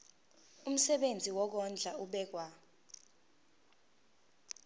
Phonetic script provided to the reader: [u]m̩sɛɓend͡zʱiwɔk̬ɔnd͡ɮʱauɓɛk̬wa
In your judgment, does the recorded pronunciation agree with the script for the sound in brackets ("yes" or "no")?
yes